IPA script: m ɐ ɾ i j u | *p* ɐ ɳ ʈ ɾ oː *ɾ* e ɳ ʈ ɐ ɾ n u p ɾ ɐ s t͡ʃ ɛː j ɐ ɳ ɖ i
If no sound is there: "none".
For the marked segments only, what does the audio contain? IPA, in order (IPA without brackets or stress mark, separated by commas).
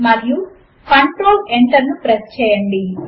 k, l